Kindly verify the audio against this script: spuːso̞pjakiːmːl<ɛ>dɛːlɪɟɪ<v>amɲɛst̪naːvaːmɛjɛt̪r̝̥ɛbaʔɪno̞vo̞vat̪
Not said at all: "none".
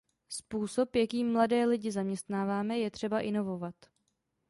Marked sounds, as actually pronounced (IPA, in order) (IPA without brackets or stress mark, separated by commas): a, z